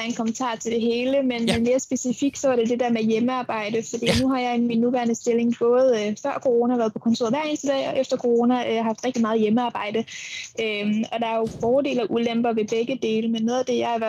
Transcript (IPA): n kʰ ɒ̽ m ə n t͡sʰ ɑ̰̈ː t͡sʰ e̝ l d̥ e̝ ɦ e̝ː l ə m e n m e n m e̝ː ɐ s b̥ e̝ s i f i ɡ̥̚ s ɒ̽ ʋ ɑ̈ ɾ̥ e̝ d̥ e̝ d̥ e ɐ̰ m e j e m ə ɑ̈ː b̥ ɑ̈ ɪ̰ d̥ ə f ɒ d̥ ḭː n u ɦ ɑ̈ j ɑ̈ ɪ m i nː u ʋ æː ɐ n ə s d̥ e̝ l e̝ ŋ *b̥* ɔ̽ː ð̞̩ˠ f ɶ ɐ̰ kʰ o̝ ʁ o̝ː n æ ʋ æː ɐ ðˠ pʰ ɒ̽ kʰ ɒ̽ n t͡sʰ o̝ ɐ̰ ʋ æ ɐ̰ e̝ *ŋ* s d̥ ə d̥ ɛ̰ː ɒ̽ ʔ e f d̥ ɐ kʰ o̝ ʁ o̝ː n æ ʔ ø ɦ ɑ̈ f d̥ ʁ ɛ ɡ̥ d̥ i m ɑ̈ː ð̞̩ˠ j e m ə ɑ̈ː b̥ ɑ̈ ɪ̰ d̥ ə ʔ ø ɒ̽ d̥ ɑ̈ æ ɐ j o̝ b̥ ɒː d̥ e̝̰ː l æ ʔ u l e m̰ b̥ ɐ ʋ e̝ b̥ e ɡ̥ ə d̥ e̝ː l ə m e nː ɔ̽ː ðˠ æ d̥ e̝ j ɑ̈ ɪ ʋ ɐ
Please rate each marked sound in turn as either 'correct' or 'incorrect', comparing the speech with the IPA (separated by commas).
correct, incorrect